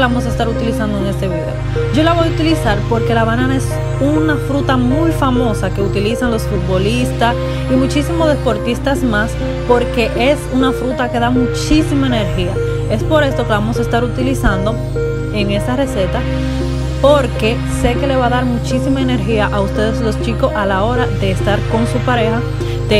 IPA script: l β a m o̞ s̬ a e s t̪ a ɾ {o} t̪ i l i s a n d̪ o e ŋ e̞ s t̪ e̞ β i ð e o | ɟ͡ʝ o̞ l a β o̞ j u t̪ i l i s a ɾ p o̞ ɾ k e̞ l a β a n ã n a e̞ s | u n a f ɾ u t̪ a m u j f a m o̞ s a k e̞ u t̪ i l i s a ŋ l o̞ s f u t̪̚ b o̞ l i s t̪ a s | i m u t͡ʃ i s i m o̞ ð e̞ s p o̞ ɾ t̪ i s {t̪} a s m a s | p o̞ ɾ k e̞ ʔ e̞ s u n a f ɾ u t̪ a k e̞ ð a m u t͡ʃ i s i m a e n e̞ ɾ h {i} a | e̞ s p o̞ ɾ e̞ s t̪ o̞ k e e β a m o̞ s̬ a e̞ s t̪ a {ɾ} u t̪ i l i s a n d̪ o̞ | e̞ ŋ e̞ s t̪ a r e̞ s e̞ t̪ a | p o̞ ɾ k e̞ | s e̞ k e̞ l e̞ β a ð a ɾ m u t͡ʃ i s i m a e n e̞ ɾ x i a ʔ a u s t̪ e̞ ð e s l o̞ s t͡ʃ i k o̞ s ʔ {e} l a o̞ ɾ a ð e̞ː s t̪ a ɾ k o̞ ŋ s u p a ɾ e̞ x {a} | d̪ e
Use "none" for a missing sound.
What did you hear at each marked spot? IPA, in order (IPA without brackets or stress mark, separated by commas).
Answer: u, t̪, i, ɾ, a, a